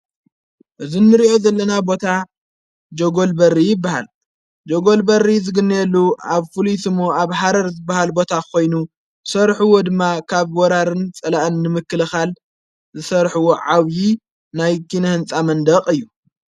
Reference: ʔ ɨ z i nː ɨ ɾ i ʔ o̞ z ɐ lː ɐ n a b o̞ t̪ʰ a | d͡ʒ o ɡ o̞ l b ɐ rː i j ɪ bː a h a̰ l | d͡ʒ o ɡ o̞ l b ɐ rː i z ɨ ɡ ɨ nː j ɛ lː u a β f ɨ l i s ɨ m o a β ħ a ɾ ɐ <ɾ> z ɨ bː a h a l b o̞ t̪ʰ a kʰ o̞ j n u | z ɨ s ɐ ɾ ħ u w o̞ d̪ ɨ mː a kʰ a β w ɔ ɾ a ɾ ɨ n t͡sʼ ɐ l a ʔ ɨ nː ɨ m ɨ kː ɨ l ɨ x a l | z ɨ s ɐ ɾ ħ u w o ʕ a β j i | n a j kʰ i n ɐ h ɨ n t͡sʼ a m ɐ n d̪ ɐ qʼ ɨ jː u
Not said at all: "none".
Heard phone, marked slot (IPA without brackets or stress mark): ɾ